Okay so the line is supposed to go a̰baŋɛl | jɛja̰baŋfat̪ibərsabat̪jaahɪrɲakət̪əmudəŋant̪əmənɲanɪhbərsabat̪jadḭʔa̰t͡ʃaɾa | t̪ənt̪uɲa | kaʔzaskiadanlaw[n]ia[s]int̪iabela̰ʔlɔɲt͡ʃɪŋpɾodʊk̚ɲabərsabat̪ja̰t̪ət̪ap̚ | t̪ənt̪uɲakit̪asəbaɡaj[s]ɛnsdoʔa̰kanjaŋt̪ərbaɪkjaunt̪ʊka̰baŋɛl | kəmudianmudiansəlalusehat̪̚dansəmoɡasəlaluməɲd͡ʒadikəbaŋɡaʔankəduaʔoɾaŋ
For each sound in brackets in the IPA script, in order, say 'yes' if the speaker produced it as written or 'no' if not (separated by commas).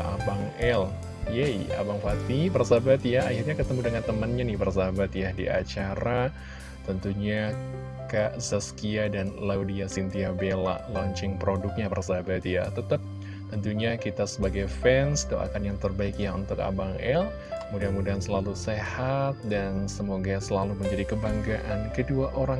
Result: no, yes, no